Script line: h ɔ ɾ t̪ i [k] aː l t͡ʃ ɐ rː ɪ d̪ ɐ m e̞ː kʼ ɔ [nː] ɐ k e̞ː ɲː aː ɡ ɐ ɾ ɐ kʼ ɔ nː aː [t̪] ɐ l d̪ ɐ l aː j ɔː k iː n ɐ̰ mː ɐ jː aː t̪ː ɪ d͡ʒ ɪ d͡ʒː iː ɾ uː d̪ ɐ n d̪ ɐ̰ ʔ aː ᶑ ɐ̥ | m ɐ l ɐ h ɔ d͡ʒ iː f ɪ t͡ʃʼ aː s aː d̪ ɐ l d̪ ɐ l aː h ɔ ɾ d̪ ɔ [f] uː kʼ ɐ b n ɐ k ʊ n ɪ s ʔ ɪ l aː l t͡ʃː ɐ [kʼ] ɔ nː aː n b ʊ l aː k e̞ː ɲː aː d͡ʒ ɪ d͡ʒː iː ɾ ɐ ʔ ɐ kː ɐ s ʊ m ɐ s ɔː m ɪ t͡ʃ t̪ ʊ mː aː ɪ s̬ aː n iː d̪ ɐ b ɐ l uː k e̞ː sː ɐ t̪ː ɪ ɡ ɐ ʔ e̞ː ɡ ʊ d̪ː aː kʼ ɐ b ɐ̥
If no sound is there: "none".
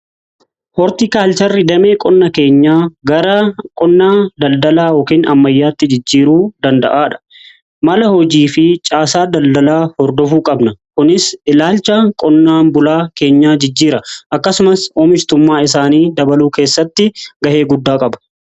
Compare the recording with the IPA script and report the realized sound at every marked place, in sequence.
k, nː, d̪, f, kʼ

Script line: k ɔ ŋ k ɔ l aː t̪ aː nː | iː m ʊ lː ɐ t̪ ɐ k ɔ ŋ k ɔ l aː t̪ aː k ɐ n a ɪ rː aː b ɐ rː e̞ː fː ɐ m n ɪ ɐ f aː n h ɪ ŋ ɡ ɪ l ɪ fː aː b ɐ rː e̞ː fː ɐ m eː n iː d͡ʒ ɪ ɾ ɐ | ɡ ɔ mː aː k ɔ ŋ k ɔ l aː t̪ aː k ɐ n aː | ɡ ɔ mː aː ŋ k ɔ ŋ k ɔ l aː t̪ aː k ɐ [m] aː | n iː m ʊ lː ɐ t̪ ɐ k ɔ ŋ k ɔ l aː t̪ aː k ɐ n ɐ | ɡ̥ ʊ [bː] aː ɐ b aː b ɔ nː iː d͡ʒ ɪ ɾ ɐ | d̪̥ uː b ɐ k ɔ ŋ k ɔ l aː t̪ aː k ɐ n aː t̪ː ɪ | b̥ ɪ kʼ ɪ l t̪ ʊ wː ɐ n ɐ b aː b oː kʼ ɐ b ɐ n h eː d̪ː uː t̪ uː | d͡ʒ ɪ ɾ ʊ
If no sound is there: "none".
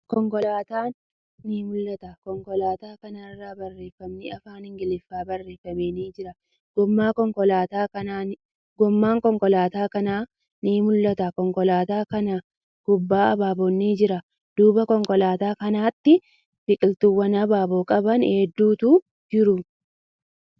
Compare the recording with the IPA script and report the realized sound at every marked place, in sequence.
n, bː

